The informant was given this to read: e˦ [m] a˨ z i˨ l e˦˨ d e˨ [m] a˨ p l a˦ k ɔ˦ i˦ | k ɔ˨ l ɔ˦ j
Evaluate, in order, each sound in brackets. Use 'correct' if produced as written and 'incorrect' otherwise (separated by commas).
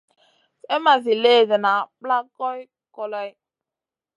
correct, incorrect